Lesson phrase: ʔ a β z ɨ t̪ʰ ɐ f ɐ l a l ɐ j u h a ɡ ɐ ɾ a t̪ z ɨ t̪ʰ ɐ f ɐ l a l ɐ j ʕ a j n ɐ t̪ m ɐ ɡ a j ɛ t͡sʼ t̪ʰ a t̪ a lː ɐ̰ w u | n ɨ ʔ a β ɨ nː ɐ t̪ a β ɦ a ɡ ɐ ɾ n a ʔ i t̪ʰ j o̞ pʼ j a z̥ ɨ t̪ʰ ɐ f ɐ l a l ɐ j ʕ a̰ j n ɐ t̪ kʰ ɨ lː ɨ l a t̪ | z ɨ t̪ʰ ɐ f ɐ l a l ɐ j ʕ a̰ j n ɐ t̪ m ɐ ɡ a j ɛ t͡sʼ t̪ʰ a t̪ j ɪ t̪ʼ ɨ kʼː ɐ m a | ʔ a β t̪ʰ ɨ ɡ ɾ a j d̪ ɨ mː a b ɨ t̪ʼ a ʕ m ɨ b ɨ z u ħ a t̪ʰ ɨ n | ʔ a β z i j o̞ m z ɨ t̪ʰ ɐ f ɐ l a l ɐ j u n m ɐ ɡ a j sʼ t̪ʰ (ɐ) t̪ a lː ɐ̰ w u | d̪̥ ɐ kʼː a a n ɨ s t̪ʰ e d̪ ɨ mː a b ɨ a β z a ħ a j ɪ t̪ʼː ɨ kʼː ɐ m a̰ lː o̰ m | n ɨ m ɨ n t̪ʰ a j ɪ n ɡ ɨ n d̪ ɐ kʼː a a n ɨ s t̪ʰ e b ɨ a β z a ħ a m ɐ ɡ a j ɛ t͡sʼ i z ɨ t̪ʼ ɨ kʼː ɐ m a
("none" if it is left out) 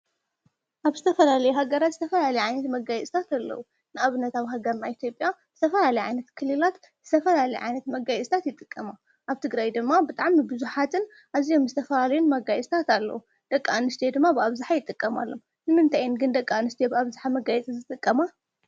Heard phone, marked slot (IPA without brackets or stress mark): a